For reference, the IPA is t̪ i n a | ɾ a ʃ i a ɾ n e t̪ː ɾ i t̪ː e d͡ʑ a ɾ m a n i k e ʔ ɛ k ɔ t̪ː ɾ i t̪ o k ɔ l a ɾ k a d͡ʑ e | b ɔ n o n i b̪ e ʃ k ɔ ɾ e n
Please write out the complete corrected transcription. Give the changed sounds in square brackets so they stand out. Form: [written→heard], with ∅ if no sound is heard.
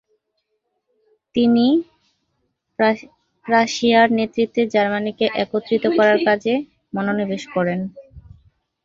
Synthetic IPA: t̪ i n [a→i] | ɾ a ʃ i a ɾ n e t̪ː ɾ i t̪ː e d͡ʑ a ɾ m a n i k e ʔ ɛ k [ɔ→o] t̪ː ɾ i t̪ o k ɔ [l→ɾ] a ɾ k a d͡ʑ e | [b→m] ɔ n o n i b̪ e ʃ k ɔ ɾ e n